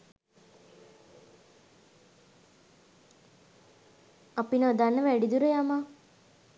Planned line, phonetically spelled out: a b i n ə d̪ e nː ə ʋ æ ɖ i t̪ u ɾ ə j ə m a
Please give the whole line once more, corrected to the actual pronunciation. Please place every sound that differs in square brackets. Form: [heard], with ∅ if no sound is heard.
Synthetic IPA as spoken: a [p] i n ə d̪ [a] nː ə ʋ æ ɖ i [d̪] u ɾ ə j [a] m a